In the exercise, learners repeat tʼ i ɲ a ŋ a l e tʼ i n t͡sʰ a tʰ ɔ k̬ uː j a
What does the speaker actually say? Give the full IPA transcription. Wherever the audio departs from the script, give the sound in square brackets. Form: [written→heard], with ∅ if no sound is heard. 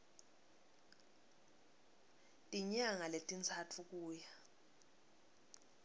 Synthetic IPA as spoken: tʼ i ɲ a ŋ a l e tʼ i n t͡sʰ a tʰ [ɔ→u] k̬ uː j a